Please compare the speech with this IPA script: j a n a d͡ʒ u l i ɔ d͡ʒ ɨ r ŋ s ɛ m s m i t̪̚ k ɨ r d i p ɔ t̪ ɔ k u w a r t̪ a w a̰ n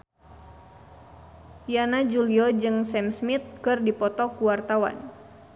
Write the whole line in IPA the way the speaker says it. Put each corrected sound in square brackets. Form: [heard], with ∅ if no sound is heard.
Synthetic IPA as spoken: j a n a d͡ʒ u l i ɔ d͡ʒ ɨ [∅] ŋ s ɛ m s m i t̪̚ k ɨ r d i p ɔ t̪ ɔ k u w a r t̪ a w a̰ n